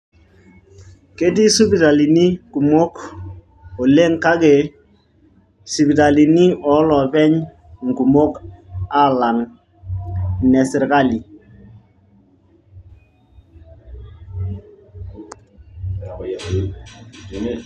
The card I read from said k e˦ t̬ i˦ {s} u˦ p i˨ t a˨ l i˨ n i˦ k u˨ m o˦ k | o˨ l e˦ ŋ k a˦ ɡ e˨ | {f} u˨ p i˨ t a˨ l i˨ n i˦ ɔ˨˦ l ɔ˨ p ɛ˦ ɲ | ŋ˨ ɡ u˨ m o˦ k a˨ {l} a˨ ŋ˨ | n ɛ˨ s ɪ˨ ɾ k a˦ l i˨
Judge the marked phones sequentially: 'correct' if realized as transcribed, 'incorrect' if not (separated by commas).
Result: correct, incorrect, correct